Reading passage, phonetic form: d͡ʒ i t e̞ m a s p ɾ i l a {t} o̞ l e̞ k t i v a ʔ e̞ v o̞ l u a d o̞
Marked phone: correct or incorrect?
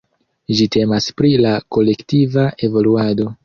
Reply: incorrect